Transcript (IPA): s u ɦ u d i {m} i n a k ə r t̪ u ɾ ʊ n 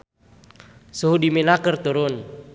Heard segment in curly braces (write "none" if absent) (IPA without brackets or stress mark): m